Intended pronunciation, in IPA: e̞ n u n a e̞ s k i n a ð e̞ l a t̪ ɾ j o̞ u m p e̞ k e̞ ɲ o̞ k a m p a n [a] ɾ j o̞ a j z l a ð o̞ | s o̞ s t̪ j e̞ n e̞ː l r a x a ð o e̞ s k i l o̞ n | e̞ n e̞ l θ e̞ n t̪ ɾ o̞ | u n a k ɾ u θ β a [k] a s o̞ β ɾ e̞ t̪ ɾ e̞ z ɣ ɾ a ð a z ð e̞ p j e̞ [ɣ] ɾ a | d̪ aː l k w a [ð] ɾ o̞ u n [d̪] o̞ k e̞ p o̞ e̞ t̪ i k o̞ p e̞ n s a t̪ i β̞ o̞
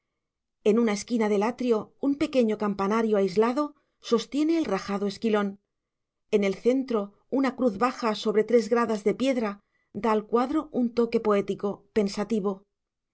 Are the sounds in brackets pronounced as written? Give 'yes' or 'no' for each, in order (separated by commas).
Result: yes, no, no, yes, no